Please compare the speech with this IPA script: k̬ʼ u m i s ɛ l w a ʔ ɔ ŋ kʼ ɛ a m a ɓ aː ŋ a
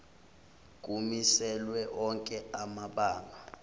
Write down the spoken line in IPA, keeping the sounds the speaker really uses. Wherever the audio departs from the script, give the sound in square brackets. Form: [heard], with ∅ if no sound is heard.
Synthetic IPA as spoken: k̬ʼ u m i s ɛ l w [ɛ] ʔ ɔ ŋ kʼ ɛ a m a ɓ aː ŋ a